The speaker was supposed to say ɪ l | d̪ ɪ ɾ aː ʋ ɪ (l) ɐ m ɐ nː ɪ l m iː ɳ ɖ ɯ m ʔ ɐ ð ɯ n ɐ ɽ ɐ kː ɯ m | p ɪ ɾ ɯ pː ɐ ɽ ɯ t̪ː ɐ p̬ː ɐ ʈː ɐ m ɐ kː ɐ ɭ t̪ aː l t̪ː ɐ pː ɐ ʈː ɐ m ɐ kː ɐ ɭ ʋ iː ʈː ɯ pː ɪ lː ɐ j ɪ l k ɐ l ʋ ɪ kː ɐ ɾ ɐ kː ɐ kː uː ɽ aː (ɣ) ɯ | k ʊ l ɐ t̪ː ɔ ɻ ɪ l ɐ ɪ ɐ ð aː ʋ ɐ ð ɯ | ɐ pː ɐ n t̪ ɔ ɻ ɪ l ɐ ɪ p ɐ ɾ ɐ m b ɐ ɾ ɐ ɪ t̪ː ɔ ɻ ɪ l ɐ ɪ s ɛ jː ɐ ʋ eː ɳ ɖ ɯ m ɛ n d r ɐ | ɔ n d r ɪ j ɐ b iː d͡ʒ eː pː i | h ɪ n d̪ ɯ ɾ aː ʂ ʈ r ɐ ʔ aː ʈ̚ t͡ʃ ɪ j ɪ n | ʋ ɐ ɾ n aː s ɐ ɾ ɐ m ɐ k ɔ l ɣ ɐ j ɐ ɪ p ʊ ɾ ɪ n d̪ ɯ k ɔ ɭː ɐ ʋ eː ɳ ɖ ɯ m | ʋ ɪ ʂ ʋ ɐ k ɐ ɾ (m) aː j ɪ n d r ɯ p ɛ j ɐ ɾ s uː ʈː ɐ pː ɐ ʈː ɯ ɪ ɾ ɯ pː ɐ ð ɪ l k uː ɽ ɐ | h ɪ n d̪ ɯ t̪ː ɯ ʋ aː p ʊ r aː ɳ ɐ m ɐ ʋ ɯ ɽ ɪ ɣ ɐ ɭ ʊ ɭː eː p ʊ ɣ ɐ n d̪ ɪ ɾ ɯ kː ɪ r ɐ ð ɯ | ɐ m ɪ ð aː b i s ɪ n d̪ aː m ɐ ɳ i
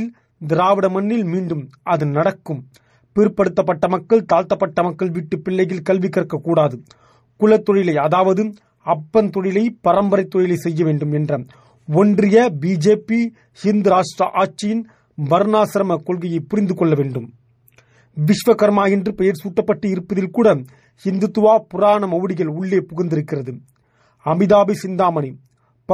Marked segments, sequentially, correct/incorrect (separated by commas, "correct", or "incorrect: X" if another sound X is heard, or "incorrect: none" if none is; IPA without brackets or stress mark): incorrect: ɽ, incorrect: ð, correct